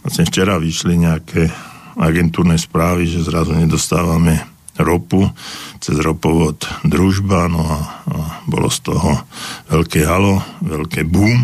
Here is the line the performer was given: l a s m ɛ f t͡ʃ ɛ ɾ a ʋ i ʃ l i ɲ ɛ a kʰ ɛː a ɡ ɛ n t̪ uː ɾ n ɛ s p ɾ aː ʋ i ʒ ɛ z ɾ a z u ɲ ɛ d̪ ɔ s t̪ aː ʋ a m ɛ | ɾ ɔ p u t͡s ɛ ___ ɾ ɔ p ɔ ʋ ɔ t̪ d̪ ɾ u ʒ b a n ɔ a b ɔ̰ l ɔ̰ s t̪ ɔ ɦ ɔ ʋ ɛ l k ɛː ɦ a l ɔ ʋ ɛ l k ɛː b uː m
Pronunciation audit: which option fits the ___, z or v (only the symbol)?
z